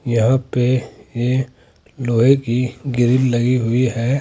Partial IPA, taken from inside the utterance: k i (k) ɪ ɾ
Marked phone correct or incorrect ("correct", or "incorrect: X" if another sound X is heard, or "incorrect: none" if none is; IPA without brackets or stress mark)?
incorrect: ɡ